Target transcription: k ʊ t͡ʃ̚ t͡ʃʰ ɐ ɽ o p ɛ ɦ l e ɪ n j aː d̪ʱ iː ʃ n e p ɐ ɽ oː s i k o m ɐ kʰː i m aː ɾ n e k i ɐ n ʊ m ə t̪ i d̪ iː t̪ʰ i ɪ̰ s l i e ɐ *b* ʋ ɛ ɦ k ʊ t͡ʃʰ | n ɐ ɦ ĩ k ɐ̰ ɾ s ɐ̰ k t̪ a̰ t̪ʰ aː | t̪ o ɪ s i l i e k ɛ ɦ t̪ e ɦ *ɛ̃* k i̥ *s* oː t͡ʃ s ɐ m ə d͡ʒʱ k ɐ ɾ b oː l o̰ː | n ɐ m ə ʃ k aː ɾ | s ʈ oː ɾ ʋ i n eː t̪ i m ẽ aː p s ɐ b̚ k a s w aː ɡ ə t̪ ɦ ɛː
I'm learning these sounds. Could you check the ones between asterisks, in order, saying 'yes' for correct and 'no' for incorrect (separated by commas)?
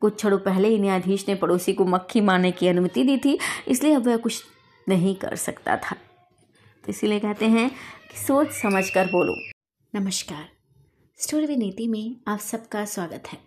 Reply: yes, yes, yes